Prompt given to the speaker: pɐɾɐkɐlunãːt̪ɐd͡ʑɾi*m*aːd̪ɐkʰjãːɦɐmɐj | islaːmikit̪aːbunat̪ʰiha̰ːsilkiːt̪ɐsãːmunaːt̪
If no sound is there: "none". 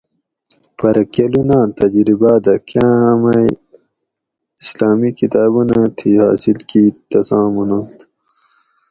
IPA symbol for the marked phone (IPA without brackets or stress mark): b